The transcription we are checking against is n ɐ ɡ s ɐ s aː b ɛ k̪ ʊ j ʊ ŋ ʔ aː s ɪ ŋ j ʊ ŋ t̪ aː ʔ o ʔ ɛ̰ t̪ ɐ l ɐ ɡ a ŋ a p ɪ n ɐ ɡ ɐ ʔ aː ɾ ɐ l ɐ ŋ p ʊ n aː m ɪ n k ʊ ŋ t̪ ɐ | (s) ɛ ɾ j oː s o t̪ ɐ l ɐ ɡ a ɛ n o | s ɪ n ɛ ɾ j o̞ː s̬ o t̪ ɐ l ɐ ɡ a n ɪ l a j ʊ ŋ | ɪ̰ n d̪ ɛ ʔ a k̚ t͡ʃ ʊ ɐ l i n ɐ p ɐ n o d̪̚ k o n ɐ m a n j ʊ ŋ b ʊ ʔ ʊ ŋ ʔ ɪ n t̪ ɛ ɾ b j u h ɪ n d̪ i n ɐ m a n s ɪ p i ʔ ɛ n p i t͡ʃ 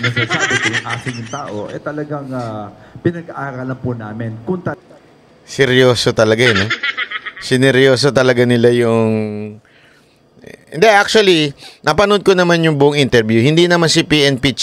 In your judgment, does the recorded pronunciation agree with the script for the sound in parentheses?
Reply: yes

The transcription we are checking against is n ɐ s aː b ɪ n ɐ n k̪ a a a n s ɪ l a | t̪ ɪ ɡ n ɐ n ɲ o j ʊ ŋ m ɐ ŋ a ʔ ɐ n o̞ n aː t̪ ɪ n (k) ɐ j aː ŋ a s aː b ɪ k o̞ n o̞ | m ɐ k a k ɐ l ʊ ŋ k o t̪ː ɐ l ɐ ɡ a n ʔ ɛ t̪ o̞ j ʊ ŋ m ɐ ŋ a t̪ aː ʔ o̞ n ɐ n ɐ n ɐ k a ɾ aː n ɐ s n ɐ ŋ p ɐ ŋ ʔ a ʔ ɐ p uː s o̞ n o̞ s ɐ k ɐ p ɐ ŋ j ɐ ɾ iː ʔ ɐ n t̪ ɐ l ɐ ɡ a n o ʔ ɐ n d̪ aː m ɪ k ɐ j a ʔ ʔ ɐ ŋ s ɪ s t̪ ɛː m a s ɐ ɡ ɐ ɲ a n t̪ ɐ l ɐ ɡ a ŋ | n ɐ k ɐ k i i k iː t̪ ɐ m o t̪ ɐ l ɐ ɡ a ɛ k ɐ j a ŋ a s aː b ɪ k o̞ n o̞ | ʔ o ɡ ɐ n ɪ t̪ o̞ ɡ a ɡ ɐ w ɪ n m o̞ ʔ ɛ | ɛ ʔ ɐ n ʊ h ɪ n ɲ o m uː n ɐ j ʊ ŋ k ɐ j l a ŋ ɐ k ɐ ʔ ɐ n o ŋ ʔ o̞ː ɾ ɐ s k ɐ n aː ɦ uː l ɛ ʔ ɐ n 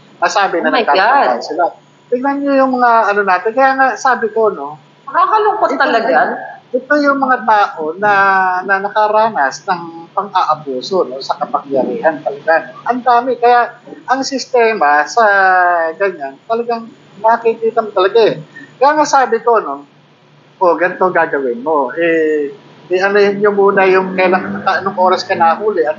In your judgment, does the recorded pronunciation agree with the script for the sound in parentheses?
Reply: yes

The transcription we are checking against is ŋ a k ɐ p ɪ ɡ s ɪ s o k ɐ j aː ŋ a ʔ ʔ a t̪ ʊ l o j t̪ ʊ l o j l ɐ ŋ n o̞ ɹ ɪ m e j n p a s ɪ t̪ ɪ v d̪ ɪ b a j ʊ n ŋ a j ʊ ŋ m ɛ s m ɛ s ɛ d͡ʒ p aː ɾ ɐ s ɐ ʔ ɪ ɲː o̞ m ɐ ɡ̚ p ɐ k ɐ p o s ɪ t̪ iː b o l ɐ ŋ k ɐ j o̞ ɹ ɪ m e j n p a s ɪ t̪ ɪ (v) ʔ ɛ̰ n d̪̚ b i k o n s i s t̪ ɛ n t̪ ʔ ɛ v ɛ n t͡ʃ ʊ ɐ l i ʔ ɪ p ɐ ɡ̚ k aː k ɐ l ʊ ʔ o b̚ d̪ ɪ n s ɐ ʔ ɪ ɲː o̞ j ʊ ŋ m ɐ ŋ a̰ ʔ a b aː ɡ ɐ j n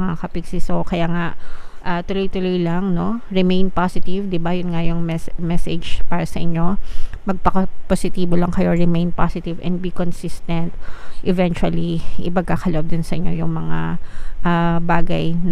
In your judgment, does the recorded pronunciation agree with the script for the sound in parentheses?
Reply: yes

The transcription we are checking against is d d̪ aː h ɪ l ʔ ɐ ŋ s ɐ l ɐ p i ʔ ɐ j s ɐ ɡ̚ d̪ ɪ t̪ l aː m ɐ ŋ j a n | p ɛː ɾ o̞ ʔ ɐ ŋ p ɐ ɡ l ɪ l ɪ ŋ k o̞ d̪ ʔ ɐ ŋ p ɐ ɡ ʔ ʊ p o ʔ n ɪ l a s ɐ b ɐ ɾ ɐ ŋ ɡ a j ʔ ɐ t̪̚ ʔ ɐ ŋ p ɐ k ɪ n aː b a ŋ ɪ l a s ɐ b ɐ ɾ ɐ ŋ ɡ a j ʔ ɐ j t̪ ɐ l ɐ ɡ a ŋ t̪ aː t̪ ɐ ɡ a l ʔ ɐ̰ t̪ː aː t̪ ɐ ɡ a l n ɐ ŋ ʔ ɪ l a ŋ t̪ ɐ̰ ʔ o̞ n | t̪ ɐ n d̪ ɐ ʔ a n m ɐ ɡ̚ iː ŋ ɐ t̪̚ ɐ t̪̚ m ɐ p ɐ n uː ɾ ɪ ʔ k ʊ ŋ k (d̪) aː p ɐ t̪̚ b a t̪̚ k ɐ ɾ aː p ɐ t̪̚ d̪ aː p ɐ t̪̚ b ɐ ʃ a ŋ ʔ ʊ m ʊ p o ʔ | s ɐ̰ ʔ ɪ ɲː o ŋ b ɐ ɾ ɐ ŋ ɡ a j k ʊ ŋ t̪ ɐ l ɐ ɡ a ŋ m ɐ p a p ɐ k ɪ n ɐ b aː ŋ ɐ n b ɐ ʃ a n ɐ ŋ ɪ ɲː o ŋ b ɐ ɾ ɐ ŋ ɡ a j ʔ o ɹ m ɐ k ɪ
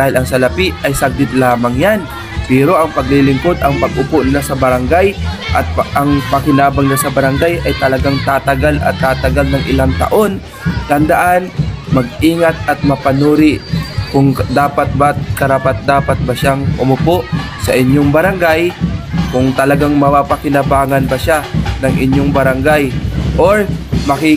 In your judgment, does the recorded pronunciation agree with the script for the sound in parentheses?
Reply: yes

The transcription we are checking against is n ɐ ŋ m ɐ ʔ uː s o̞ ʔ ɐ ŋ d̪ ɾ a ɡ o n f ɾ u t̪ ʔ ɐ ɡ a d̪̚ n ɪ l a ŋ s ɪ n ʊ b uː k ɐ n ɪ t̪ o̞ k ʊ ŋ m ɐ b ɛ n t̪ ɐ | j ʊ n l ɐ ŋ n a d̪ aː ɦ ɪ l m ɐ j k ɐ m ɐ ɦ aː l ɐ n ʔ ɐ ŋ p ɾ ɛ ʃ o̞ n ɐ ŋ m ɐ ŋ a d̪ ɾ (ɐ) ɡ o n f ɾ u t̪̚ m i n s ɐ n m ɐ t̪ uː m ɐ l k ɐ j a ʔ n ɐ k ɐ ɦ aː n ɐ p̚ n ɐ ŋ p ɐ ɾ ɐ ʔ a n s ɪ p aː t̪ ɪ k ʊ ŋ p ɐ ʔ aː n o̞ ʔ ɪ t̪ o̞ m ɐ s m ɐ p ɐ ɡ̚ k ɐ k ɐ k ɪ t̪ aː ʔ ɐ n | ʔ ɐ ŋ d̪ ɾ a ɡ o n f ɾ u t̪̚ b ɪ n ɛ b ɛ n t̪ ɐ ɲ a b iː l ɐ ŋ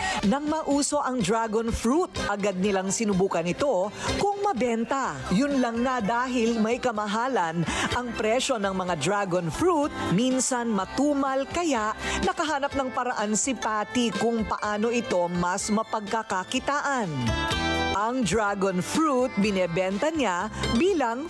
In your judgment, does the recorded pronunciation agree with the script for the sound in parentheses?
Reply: no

